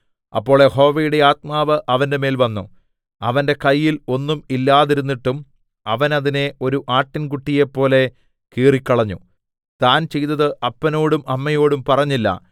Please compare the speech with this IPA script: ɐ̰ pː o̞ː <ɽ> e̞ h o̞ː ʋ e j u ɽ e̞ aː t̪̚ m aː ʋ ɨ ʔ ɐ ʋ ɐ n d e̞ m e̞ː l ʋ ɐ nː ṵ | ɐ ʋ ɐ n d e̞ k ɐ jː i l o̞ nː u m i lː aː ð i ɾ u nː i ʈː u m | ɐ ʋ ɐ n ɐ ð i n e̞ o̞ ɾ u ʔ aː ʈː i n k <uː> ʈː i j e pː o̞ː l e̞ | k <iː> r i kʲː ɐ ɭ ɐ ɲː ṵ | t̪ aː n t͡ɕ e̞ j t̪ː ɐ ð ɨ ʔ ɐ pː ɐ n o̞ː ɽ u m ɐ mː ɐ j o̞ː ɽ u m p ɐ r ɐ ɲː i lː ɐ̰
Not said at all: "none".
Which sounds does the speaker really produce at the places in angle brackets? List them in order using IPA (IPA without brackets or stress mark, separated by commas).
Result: ɭ, u, iː